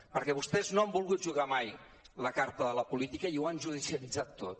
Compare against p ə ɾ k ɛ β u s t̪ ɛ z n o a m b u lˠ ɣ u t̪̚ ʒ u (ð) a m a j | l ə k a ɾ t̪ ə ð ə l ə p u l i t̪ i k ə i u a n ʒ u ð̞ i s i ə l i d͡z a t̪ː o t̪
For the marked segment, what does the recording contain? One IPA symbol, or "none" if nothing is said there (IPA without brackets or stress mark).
ɣ